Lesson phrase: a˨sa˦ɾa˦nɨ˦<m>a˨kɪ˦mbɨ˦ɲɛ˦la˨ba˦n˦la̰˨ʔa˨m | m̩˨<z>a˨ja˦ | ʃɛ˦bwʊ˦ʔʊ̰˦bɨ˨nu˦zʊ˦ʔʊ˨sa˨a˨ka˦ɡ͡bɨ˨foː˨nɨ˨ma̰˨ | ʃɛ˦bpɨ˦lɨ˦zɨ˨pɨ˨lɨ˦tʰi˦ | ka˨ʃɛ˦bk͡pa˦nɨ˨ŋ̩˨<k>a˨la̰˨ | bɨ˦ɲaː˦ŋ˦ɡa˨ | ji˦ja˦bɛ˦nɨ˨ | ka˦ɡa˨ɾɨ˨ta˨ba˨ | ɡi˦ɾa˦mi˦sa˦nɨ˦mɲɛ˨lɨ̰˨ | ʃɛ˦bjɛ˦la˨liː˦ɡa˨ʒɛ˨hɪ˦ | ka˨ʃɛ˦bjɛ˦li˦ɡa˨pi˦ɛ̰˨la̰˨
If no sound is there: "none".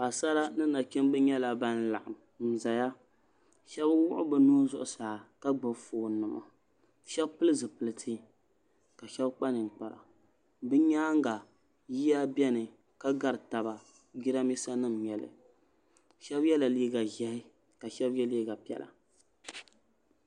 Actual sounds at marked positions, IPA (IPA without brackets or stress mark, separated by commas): n, z, k͡p